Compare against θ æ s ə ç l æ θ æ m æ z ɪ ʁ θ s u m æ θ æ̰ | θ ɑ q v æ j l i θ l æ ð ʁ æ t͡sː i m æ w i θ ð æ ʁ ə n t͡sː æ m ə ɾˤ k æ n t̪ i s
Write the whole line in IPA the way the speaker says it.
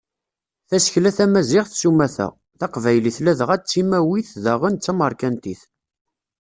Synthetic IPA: θ æ s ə ç l æ θ æ m æ z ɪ ʁ θ s u m æ θ æ̰ | θ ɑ q v æ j l i θ l æ ð ʁ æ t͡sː i m æ w i θ ð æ ʁ ə n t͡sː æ m ə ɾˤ k æ n t̪ i θ